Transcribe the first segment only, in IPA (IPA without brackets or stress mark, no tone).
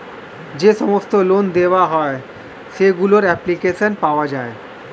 d͡ʑ